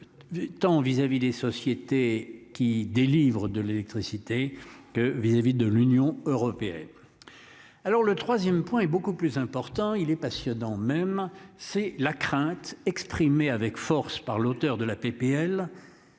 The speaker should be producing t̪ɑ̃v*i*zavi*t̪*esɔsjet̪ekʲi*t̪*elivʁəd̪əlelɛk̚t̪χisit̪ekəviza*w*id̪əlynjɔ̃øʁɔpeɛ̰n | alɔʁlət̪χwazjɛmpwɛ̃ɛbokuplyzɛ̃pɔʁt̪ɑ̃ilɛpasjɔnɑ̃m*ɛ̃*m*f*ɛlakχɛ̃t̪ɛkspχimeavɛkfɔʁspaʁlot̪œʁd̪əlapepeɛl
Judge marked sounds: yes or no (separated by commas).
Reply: yes, no, no, no, no, no